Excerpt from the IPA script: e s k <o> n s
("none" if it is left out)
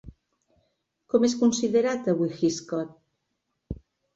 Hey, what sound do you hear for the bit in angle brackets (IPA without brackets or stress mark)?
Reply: u